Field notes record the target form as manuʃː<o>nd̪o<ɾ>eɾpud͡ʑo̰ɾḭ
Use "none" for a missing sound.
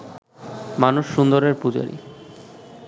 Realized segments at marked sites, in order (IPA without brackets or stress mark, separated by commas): u, ɾ